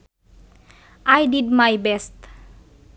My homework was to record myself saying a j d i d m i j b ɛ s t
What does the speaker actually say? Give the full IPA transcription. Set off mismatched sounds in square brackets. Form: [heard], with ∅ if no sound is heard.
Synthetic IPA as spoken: a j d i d m [a] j b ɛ s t